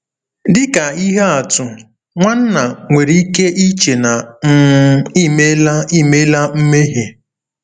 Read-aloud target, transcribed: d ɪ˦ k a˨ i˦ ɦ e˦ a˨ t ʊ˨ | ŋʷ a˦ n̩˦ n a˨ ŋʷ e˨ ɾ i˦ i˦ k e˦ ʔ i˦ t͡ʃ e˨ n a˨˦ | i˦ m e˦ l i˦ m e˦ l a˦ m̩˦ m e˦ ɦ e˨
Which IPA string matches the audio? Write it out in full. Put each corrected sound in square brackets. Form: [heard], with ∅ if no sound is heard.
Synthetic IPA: d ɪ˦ k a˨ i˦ ɦ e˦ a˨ t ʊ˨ | ŋʷ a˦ n̩˦ n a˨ ŋʷ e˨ ɾ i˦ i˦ k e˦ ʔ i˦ t͡ʃ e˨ n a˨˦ | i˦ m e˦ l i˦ m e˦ l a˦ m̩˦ m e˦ ɦ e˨